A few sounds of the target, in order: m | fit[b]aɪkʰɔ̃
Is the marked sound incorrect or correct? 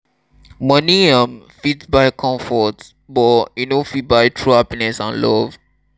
correct